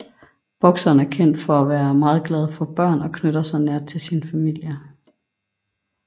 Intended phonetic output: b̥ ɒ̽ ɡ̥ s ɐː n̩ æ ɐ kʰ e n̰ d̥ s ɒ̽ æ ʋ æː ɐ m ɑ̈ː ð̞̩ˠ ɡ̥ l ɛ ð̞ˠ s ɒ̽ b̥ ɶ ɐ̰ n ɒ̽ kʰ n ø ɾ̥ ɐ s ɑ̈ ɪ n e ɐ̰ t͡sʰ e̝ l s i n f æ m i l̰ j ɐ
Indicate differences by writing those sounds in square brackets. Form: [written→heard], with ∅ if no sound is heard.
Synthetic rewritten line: b̥ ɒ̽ ɡ̥ s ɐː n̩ æ ɐ kʰ e n̰ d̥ [s→f] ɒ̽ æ ʋ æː ɐ m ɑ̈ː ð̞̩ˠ ɡ̥ l ɛ ð̞ˠ [s→f] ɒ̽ b̥ ɶ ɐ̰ n ɒ̽ kʰ n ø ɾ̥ ɐ s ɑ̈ ɪ n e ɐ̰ t͡sʰ e̝ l s i n f æ m i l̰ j ɐ